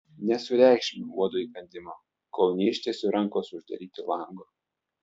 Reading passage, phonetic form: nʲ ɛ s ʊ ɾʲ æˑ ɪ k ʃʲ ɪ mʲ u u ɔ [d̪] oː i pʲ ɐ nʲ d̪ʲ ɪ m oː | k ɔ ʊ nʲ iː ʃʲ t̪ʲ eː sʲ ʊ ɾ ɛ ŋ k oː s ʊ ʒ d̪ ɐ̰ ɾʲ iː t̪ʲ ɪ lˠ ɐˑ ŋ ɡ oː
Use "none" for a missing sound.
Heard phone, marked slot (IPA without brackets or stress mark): d̪